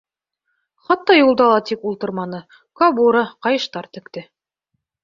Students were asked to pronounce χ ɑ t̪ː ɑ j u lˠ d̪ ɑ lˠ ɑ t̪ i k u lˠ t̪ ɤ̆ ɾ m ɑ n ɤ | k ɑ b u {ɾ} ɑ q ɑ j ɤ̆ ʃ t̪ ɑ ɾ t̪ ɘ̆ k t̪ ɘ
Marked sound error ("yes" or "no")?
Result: no